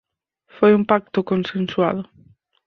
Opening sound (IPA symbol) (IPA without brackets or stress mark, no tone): f